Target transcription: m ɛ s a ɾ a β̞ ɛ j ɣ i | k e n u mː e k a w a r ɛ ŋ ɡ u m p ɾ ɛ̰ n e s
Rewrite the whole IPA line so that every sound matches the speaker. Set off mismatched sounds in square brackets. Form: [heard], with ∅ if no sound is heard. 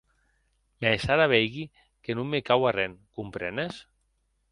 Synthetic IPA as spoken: m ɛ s a ɾ a β̞ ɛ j ɣ i | k e n u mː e k a w a r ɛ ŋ [k] u m p ɾ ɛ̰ n e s